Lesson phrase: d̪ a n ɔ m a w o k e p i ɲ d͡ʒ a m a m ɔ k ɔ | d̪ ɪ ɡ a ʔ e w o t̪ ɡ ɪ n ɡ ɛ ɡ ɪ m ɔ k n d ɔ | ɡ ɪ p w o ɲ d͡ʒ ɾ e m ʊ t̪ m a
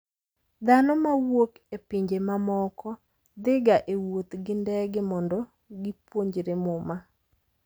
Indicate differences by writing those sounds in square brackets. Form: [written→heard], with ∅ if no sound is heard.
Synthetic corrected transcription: d̪ a n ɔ m a w o k e p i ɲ d͡ʒ [a→e] m a m ɔ k ɔ | d̪ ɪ ɡ a ʔ e w o t̪ ɡ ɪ n [ɡ→d] ɛ ɡ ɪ m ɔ [k→∅] n d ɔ | ɡ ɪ p w o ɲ d͡ʒ ɾ e m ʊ [t̪→∅] m a